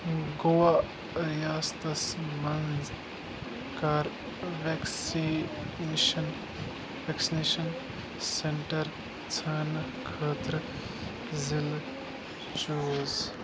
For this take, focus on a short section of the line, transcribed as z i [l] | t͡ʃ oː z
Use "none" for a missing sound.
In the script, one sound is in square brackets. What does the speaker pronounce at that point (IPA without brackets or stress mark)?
l